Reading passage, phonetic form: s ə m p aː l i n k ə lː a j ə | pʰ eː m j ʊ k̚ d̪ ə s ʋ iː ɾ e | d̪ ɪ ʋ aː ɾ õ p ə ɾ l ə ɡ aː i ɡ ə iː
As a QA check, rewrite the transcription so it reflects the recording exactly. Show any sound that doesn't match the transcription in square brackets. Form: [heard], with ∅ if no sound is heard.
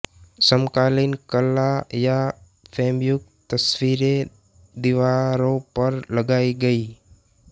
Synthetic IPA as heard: s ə m [k] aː l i n k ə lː a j [a] | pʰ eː m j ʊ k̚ [t̪] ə s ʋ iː ɾ e | d̪ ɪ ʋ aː ɾ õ p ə ɾ l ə ɡ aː i ɡ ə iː